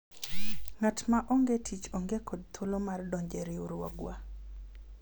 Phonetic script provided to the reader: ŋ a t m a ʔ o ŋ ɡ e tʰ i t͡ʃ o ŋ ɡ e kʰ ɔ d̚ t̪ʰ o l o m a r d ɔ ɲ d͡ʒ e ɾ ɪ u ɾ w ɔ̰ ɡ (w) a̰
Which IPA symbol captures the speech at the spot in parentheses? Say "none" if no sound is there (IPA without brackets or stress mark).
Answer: w